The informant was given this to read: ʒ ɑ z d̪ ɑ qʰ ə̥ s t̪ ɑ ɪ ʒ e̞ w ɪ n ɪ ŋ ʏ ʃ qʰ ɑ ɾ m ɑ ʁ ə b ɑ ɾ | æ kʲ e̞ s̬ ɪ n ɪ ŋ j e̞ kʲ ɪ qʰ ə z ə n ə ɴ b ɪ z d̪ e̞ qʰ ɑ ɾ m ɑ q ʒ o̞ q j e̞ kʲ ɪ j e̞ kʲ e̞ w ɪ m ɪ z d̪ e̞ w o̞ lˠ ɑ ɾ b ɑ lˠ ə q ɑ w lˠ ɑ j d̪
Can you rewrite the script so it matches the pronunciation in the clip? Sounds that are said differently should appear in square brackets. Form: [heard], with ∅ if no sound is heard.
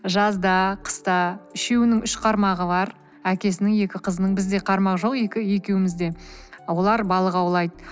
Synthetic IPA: ʒ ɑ z d̪ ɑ qʰ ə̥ s t̪ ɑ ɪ [ʃ] e̞ w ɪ n ɪ ŋ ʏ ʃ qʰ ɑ ɾ m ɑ ʁ ə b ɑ ɾ | æ kʲ e̞ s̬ ɪ n ɪ ŋ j e̞ kʲ ɪ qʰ ə z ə n ə ɴ b ɪ z d̪ e̞ qʰ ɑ ɾ m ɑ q ʒ o̞ q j e̞ kʲ ɪ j e̞ kʲ e̞ w ɪ m ɪ z d̪ e̞ w o̞ lˠ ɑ ɾ b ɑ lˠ ə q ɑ w lˠ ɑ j d̪

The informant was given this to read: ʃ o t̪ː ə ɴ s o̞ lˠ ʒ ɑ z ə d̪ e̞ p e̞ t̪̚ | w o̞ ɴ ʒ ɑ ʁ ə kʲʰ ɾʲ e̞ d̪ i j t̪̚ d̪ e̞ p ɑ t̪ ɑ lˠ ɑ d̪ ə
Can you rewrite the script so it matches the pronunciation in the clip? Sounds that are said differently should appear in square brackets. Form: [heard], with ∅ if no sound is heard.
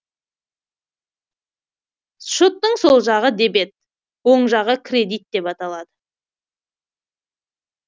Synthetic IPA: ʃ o t̪ː ə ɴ s o̞ lˠ ʒ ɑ [ʁ] ə d̪ e̞ [b] e̞ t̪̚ | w o̞ ɴ ʒ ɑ ʁ ə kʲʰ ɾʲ e̞ d̪ i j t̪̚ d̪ e̞ p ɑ t̪ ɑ lˠ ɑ d̪ ə

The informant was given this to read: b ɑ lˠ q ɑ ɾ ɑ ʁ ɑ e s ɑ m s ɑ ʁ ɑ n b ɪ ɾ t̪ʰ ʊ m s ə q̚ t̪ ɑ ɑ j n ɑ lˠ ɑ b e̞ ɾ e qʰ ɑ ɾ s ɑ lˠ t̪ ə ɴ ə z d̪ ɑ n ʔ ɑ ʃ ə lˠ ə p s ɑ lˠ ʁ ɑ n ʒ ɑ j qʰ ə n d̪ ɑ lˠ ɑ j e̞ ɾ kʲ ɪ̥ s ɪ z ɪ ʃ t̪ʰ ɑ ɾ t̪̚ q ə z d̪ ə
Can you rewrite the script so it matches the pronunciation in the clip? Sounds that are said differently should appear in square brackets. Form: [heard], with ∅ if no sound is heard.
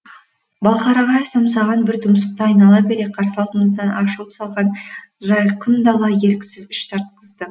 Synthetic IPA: b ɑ lˠ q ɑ ɾ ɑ ʁ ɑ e s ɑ m s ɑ ʁ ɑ n b ɪ ɾ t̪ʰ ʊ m s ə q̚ t̪ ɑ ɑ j n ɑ lˠ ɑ b e̞ ɾ e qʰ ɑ ɾ s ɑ lˠ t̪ ə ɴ ə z d̪ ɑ n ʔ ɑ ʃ ə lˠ ə p s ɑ lˠ ʁ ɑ n ʒ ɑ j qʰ ə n d̪ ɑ lˠ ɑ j e̞ ɾ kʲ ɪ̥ s ɪ z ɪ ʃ t̪ʰ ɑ ɾ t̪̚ q ə z d̪ ə

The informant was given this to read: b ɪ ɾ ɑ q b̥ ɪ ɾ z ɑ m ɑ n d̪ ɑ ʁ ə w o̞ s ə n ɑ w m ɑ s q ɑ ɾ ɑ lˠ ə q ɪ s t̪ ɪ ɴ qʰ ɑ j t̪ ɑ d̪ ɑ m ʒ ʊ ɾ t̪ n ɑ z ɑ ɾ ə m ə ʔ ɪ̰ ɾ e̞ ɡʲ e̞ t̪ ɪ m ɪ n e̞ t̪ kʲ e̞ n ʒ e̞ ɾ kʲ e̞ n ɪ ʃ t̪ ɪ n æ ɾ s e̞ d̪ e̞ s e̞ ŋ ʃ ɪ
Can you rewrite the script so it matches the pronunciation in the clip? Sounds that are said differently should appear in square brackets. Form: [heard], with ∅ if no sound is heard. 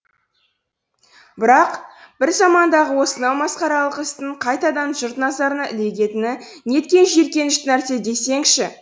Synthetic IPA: b ɪ ɾ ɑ q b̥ ɪ ɾ z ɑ m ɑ n d̪ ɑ ʁ ə w o̞ s ə n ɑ w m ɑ s q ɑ ɾ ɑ lˠ ə q ɪ s t̪ ɪ ɴ qʰ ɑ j t̪ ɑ d̪ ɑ [n] ʒ ʊ ɾ t̪ n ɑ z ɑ ɾ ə [n] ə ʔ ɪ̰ [l] e̞ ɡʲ e̞ t̪ ɪ [n] ɪ n e̞ t̪ kʲ e̞ n ʒ e̞ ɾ kʲ e̞ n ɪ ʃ t̪ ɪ n æ ɾ s e̞ d̪ e̞ s e̞ ŋ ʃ ɪ

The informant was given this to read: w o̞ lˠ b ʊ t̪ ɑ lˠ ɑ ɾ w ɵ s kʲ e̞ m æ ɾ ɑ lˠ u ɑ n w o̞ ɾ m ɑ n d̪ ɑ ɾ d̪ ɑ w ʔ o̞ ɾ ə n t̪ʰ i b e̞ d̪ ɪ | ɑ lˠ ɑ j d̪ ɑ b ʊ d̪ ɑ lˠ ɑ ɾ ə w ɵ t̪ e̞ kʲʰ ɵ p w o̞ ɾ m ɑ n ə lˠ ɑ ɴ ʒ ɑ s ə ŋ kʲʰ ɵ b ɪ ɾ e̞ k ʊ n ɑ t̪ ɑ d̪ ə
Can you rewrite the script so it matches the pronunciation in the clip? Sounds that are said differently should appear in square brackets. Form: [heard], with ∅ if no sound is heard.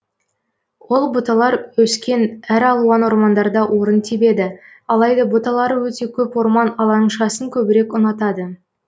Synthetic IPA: w o̞ lˠ b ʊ t̪ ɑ lˠ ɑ ɾ w ɵ s kʲ e̞ [n] æ ɾ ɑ lˠ u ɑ n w o̞ ɾ m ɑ n d̪ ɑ ɾ d̪ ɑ w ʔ o̞ ɾ ə n t̪ʰ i b e̞ d̪ ɪ | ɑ lˠ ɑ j d̪ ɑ b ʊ [t̪] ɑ lˠ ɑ ɾ ə w ɵ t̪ e̞ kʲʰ ɵ p w o̞ ɾ m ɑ n [ɑ] lˠ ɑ ɴ [ʃ] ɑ s ə ŋ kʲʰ ɵ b ɪ ɾ e̞ k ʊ n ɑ t̪ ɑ d̪ ə

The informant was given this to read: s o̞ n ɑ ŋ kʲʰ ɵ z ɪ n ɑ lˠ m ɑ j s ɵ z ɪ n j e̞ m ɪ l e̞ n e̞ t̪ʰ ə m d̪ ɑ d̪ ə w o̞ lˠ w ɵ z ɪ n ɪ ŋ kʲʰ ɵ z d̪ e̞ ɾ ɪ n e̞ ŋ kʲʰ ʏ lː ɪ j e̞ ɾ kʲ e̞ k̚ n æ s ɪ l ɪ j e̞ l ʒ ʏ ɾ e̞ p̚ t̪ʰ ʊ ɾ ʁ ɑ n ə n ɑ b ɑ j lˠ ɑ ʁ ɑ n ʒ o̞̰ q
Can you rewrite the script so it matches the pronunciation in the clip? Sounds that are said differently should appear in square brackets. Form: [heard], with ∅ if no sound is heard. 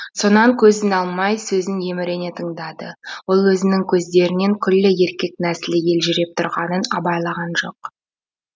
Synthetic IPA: s o̞ n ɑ ŋ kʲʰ ɵ z ɪ n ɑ lˠ m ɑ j s ɵ z ɪ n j e̞ m ɪ [ɾ] e̞ n e̞ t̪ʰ ə [ɴ] d̪ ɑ d̪ ə w o̞ lˠ w ɵ z ɪ n ɪ ŋ kʲʰ ɵ z d̪ e̞ ɾ ɪ n e̞ ŋ kʲʰ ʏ lː ɪ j e̞ ɾ kʲ e̞ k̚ n æ s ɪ l ɪ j e̞ l ʒ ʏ ɾ e̞ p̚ t̪ʰ ʊ ɾ ʁ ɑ n ə n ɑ b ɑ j lˠ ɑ ʁ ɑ n ʒ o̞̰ q

